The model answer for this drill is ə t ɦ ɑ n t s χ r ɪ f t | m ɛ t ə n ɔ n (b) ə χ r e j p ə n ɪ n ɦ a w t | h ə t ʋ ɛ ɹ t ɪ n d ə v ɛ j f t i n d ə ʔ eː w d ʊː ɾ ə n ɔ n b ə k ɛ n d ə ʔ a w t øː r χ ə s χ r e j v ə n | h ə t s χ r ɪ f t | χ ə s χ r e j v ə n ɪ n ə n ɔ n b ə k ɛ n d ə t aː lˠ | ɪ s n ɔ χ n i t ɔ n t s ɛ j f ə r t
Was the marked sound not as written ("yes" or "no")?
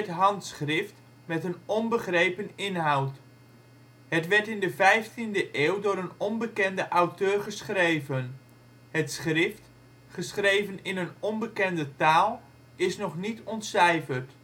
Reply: no